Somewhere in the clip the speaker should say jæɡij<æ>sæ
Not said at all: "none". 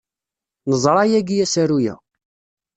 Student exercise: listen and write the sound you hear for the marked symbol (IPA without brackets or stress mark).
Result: æ